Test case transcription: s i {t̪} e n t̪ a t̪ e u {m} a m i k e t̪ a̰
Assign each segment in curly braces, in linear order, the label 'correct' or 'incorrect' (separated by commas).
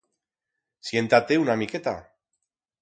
incorrect, incorrect